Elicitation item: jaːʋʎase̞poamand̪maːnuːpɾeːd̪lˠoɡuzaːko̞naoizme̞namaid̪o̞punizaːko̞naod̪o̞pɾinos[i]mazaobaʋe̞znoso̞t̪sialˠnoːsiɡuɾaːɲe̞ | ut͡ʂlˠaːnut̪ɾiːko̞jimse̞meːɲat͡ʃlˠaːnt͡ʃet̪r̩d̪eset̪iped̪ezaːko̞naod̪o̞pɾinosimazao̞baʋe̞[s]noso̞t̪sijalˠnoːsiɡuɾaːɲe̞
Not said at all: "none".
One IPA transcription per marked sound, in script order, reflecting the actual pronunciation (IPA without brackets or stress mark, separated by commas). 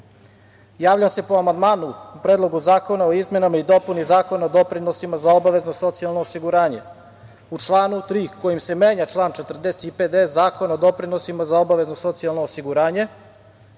i, z